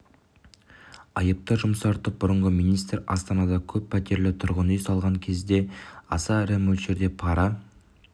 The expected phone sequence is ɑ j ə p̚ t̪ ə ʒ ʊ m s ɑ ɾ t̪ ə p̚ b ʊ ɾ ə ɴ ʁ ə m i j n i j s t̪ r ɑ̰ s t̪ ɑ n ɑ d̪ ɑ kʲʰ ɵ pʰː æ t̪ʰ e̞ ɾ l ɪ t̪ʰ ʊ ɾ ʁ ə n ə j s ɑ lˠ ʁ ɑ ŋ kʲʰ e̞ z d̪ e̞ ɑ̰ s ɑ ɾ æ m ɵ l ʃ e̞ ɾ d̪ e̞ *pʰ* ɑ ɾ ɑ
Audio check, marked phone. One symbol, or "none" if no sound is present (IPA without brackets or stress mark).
pʰ